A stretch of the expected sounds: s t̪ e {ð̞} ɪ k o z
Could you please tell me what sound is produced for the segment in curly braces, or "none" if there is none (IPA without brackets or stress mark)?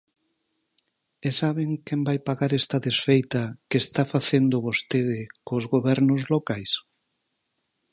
ð̞